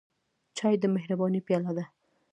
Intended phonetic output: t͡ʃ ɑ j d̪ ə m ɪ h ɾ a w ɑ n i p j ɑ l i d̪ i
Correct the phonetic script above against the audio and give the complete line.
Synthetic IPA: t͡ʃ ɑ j d̪ ə m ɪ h ɾ a b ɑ n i p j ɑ l a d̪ a